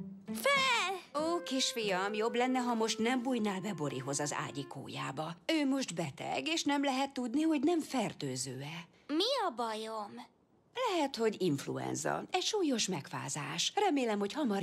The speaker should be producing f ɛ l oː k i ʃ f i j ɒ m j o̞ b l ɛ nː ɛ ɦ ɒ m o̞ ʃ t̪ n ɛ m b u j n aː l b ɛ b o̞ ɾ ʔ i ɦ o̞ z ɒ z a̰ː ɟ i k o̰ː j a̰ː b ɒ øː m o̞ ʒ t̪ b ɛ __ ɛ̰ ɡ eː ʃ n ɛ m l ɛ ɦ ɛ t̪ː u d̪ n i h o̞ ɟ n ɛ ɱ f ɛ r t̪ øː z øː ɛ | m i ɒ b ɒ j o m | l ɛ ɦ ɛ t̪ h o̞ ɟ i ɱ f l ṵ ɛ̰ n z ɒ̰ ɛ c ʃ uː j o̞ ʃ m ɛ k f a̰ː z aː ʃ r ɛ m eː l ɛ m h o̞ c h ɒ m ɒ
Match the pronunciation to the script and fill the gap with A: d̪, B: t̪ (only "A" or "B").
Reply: B